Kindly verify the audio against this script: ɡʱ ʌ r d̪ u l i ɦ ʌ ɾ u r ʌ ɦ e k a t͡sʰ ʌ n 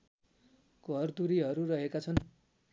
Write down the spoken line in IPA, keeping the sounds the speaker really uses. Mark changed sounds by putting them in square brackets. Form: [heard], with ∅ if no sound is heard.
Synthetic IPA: ɡʱ ʌ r d̪ u [ɾ] i ɦ ʌ ɾ u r ʌ ɦ e k a t͡sʰ ʌ n